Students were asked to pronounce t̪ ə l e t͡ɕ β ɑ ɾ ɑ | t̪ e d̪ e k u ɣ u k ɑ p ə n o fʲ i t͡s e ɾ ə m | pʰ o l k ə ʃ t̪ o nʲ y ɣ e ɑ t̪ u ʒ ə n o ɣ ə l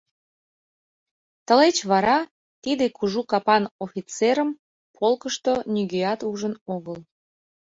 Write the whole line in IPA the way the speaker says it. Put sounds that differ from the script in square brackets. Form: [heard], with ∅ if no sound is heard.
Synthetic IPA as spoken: t̪ ə l e t͡ɕ β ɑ ɾ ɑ | t̪ [i] d̪ e k u [ʒ] u k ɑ p [ɑ] n o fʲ i t͡s e ɾ ə m | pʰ o l k ə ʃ t̪ o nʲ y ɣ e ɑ t̪ u ʒ ə n o ɣ ə l

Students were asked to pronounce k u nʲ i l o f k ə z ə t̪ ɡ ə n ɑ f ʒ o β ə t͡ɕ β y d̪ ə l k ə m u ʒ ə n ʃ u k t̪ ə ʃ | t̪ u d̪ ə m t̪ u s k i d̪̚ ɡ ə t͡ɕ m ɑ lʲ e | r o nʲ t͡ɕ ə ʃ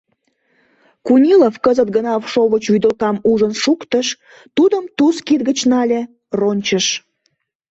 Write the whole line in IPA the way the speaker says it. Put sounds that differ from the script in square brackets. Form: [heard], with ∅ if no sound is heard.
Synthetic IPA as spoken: k u nʲ i l o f k ə z ə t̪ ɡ ə n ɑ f [ʃ] o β ə t͡ɕ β y d̪ ə l k [ɑ] m u ʒ ə n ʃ u k t̪ ə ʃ | t̪ u d̪ ə m t̪ u s k i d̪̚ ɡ ə t͡ɕ [n] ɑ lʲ e | r o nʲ t͡ɕ ə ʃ

